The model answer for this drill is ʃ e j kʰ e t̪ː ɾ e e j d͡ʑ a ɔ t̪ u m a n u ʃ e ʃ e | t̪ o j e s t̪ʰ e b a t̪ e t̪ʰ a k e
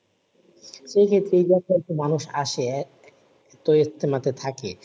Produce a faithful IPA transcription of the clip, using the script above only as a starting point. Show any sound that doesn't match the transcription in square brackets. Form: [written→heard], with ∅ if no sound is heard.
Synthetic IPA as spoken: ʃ e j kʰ e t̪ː ɾ e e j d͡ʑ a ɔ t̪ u m a n u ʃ [e→a] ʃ e | t̪ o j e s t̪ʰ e [b→m] a t̪ e t̪ʰ a k e